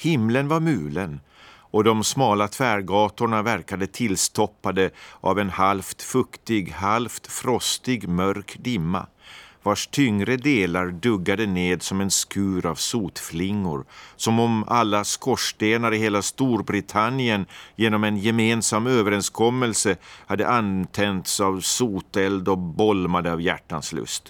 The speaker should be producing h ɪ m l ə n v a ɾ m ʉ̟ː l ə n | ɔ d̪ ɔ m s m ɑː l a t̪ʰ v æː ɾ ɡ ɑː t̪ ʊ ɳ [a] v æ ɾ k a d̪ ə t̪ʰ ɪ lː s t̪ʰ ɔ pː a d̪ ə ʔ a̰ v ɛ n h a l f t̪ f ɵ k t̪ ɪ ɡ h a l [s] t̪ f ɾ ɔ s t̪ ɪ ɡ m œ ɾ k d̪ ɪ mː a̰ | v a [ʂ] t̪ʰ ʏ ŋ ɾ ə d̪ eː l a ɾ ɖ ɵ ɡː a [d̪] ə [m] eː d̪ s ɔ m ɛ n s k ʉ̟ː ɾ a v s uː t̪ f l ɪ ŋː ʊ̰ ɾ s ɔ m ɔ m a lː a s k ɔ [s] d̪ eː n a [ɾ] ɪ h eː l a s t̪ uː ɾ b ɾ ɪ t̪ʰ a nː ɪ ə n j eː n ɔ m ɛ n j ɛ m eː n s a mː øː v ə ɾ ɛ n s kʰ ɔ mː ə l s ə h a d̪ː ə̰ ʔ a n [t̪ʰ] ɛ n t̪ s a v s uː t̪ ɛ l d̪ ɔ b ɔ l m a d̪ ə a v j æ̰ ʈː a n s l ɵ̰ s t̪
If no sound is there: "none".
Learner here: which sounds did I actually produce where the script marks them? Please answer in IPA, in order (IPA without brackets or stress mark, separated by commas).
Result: a, f, ʂ, d̪, n, ʂ, ɾ, t̪ʰ